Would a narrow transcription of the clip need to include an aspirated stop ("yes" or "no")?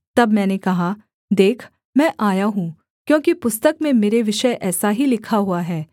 yes